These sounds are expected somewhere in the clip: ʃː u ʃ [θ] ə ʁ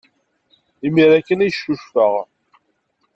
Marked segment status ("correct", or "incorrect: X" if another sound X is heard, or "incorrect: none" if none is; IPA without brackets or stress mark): incorrect: f